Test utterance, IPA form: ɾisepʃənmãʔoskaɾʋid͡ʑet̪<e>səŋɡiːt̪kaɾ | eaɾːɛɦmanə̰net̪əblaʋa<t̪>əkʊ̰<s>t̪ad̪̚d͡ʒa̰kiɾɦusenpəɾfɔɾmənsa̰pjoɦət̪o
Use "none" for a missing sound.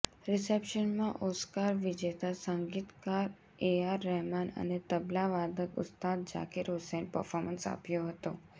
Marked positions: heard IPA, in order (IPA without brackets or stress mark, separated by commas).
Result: a, d̪, s